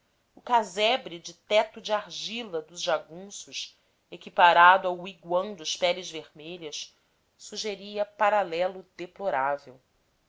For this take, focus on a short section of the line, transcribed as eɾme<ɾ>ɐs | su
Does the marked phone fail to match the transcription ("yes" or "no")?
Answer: yes